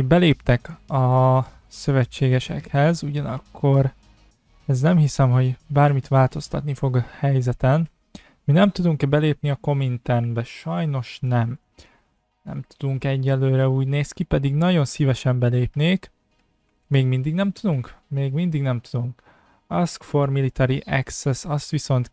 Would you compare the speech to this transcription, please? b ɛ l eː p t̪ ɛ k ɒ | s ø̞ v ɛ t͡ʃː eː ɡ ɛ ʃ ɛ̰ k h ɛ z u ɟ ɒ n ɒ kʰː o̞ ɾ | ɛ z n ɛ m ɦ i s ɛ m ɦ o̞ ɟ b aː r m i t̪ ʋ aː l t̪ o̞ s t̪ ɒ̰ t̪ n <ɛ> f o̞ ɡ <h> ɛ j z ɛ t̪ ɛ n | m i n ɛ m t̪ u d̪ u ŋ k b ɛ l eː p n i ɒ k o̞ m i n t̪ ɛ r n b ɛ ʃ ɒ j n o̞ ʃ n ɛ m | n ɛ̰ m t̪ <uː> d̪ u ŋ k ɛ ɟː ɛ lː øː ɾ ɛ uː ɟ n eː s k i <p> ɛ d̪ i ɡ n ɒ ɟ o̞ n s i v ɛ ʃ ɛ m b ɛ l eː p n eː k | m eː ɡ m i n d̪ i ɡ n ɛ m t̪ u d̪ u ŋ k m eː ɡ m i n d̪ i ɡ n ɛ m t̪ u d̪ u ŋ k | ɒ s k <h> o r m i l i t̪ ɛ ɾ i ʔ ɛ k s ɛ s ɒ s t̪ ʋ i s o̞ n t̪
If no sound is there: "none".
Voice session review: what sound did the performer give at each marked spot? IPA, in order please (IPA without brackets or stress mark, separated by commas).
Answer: i, h, u, p, f